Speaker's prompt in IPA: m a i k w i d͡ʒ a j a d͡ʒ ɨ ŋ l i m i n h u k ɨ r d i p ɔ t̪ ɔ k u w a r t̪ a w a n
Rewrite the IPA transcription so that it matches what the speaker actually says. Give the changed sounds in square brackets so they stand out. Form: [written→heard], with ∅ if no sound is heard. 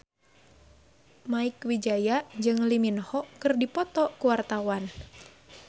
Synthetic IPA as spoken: m a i k w i d͡ʒ a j a d͡ʒ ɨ ŋ l i m i n h [u→ɔ] k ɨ r d i p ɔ t̪ ɔ k u w a r t̪ a w a n